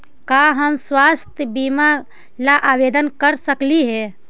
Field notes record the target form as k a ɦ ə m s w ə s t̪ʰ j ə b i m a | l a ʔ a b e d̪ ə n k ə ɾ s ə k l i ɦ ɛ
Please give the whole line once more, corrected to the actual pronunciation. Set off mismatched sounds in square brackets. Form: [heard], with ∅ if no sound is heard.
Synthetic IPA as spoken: k a ɦ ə m s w [a] s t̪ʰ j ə b i m a | l a ʔ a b e d̪ ə n k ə ɾ s ə k l i ɦ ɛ